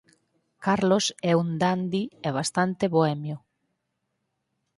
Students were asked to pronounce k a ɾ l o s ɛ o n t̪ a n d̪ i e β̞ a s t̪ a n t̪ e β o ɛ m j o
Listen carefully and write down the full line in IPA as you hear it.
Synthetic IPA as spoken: k a ɾ l o s ɛ u n d̪ a n d̪ i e β̞ a s t̪ a n t̪ e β o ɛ m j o